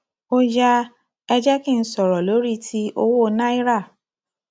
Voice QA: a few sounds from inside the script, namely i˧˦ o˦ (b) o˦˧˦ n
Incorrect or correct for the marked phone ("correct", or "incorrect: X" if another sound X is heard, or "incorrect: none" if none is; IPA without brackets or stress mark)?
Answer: incorrect: w